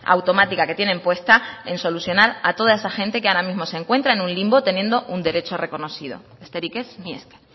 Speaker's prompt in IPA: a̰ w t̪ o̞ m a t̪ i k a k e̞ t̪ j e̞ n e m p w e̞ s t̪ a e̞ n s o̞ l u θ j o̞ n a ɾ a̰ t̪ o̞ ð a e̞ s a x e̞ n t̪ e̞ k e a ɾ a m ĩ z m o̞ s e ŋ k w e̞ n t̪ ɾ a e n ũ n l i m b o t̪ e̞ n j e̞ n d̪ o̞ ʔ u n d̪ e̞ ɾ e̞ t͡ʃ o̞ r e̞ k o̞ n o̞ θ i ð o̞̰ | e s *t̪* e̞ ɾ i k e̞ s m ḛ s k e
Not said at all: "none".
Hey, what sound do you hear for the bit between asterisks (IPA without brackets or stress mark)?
t̪